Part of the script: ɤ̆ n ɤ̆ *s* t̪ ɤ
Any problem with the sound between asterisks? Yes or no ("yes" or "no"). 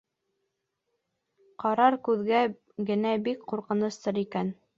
no